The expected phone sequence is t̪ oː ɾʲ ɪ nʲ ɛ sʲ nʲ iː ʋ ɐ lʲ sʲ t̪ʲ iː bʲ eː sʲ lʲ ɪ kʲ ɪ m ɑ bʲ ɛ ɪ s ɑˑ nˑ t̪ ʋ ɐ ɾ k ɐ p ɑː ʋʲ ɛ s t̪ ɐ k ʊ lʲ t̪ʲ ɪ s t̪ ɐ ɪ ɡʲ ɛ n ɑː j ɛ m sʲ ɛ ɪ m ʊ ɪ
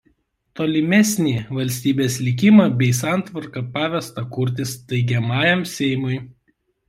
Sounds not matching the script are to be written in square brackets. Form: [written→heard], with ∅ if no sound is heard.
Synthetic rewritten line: t̪ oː [ɾʲ→lʲ] ɪ [nʲ→mʲ] ɛ sʲ nʲ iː ʋ ɐ lʲ sʲ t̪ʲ iː bʲ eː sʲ lʲ ɪ kʲ ɪ m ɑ bʲ ɛ ɪ s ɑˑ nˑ t̪ ʋ ɐ ɾ k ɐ p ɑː ʋʲ ɛ s t̪ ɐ k ʊ [lʲ→ɾʲ] t̪ʲ ɪ s t̪ ɐ ɪ ɡʲ ɛ [n→m] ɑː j ɛ m sʲ ɛ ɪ m ʊ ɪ